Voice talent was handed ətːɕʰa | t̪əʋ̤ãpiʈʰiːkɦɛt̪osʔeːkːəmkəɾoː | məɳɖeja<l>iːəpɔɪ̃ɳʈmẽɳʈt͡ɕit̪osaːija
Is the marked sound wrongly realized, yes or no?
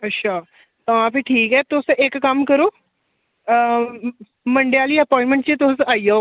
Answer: no